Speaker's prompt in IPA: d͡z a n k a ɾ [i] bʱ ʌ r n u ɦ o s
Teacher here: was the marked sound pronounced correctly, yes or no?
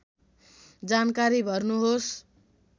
yes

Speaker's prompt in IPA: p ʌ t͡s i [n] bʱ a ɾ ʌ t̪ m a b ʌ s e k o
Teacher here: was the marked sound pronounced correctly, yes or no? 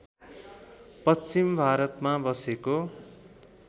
no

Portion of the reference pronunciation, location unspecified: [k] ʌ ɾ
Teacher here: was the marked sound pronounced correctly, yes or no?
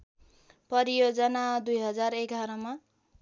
no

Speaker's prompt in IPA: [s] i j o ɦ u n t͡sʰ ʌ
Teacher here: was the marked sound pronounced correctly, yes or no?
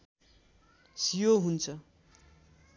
yes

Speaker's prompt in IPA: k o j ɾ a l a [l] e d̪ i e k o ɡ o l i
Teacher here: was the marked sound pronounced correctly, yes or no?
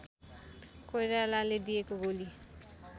yes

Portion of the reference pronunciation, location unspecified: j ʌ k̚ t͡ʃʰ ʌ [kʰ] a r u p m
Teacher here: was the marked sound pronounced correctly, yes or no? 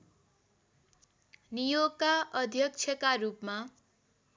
no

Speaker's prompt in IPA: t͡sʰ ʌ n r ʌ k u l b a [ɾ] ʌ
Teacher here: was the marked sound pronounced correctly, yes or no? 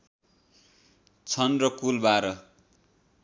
yes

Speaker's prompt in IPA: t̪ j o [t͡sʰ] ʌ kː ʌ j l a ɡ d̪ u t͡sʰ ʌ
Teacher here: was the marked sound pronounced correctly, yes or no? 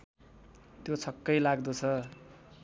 yes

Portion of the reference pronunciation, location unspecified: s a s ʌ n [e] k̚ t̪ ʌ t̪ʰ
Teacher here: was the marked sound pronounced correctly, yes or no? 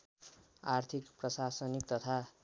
no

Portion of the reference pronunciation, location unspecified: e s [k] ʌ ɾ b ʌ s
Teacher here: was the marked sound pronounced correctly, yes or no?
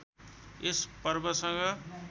no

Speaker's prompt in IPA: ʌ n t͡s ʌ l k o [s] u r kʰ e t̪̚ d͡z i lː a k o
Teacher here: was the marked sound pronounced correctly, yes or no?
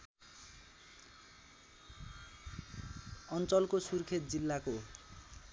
yes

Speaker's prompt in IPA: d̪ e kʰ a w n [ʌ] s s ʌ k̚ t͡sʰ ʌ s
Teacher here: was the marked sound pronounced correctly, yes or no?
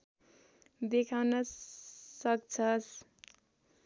yes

